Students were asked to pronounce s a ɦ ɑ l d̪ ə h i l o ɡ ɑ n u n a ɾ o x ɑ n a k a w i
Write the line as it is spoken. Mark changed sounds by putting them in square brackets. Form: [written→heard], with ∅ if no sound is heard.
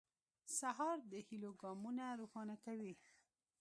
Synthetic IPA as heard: s a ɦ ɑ [l→ɾ] d̪ ə h i l o ɡ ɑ [n→m] u n a ɾ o x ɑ n a k a w i